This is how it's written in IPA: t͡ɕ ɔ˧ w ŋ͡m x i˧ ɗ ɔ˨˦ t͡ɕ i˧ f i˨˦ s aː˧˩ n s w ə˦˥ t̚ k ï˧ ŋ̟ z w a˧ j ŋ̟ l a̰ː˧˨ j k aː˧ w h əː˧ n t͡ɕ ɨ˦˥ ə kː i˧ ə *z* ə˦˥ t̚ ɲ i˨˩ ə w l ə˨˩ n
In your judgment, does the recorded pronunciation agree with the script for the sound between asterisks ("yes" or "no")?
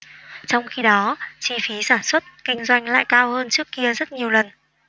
yes